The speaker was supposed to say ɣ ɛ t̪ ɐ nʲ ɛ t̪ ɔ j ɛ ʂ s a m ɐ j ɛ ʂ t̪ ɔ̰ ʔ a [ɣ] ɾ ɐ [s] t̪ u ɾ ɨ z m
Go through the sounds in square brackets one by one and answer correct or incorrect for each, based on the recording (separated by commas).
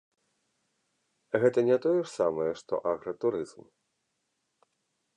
correct, incorrect